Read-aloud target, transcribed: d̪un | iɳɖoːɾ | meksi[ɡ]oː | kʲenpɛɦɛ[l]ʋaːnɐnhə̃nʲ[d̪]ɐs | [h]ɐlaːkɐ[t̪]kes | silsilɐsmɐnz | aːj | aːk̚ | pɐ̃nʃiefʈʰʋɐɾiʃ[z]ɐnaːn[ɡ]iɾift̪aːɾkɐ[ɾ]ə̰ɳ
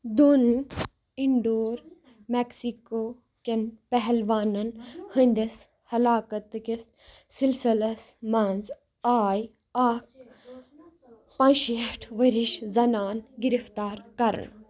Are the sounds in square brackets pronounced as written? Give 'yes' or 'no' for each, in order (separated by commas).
no, yes, yes, yes, yes, yes, yes, yes